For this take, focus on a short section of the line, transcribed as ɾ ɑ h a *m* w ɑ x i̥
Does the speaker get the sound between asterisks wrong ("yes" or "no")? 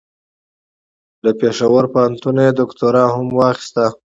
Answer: no